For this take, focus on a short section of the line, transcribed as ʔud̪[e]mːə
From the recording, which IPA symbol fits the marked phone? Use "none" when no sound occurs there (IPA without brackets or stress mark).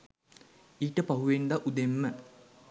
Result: e